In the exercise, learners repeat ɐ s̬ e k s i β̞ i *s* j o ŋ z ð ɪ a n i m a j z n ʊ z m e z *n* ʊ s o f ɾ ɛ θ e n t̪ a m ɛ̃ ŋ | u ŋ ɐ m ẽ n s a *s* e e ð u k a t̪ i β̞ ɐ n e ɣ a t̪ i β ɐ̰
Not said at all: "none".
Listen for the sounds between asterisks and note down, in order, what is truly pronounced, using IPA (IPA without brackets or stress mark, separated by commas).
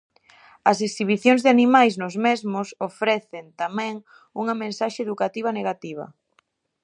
θ, m, ʃ